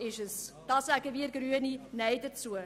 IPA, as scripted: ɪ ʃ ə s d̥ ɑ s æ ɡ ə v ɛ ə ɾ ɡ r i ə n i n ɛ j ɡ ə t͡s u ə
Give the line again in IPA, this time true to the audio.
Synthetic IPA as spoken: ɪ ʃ ə s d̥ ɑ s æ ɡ ə v i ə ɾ ɡ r y ə n i n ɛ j d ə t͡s u ə